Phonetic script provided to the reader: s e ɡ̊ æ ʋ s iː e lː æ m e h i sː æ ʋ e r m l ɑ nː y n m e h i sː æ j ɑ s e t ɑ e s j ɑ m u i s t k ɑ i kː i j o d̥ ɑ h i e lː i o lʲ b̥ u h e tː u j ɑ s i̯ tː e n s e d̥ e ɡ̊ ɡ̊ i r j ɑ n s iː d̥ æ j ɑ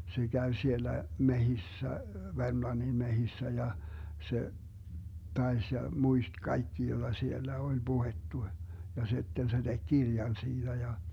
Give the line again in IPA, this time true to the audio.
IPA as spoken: s e ɡ̊ æ ʋ s i e lː æ m e h i sː æ ʋ e r m l ɑ nː i n m e h i sː æ j ɑ s e t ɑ e s j ɑ m u i s t k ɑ i kː i j o d̥ ɑ s i e lː æ o lʲ b̥ u h e tː u j ɑ s i̯ tː e n s e d̥ e ɡ̊ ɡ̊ i r j ɑ n s iː d̥ æ j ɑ